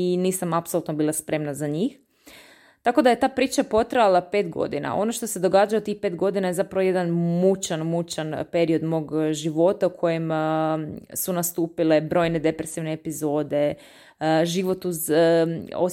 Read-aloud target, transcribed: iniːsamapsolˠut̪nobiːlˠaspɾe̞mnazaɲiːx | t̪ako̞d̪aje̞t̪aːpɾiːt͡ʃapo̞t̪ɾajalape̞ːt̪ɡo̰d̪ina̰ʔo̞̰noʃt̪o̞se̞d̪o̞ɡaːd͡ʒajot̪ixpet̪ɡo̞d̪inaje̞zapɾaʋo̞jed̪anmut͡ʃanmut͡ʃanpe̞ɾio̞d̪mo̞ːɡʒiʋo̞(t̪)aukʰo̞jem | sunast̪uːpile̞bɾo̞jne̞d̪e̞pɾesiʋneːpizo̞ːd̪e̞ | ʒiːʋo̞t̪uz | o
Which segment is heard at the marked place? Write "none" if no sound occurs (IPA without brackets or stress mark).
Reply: t̪